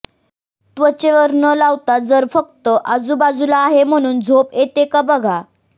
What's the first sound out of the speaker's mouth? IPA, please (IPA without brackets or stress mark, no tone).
t̪